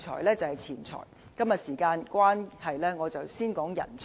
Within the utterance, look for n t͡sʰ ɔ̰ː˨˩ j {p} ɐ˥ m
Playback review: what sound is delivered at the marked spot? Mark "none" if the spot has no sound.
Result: k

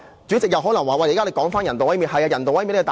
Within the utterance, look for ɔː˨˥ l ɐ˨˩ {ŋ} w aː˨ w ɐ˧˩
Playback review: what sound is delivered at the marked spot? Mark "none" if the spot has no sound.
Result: ŋ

